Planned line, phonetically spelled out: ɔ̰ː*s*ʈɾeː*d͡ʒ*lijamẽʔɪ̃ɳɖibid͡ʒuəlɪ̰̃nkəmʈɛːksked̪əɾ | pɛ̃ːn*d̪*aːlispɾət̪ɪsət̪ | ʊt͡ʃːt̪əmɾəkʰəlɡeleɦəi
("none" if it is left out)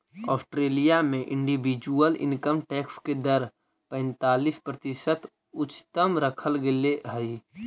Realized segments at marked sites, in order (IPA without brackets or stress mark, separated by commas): s, none, t̪